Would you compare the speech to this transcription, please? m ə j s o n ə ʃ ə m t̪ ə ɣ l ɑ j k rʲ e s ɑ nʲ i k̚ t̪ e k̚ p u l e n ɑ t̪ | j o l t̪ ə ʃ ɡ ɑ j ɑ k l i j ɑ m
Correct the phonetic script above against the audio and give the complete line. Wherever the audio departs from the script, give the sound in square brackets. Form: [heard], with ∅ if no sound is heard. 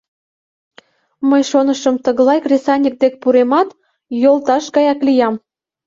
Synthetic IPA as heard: m ə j [ʃ] o n ə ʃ ə m t̪ ə ɣ l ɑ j k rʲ e s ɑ nʲ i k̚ [d̪] e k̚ p u [ɾ] e [m] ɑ t̪ | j o l t̪ [ɑ] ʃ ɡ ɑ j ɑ k l i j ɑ m